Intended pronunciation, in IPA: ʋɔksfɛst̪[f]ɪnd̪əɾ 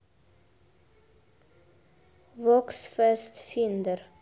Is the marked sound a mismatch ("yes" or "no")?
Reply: no